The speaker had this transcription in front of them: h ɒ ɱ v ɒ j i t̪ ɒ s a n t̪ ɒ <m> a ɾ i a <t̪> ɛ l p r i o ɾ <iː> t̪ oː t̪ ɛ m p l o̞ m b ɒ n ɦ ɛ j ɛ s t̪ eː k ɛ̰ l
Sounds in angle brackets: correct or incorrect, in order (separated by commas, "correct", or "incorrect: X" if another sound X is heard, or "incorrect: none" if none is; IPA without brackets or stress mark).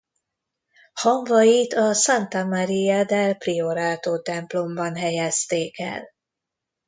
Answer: correct, incorrect: d̪, incorrect: aː